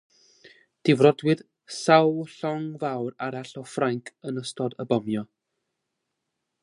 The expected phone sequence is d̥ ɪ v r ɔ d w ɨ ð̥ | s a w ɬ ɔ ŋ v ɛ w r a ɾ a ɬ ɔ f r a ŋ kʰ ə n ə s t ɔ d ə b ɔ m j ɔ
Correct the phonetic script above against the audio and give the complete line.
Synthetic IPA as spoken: d̥ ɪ v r ɔ d w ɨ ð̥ | s a w ɬ ɔ ŋ v a w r a ɾ a ɬ ɔ f r a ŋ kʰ ə n ə s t ɔ d ə b ɔ m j ɔ